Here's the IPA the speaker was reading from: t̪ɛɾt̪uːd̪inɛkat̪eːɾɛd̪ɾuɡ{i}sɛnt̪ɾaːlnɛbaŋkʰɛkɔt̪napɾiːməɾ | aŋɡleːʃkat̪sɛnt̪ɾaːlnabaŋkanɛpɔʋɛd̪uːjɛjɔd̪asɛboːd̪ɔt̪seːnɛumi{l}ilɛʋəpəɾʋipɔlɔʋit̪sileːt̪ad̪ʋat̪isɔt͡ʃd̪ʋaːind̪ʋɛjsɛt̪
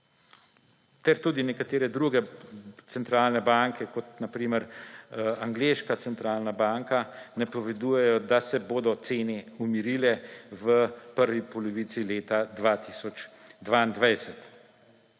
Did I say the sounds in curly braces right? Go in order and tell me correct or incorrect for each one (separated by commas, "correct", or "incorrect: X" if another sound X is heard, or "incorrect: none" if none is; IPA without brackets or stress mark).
incorrect: ɛ, incorrect: ɾ